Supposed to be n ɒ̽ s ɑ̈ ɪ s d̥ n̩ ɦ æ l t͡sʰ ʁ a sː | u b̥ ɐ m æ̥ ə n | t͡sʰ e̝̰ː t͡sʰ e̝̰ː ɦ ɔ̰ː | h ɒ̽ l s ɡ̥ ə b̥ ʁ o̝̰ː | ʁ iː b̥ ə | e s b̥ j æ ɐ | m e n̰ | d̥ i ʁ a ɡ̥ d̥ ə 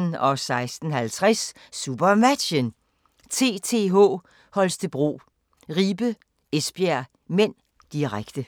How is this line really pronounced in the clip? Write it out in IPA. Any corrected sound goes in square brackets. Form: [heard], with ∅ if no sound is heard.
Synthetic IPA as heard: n ɒ̽ s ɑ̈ ɪ s d̥ n̩ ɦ æ l t͡sʰ ʁ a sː | u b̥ ɐ m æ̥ ə n | t͡sʰ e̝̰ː t͡sʰ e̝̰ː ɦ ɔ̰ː | h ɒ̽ l s [d̥] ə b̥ ʁ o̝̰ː | ʁ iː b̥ ə | e s b̥ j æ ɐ | m e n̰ | d̥ i ʁ a ɡ̥ d̥ ə